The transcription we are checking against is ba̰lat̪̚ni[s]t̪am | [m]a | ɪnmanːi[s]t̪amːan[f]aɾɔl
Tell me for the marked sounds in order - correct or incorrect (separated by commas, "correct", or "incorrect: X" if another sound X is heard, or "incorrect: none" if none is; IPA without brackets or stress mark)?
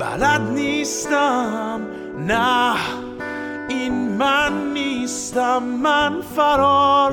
correct, incorrect: n, correct, correct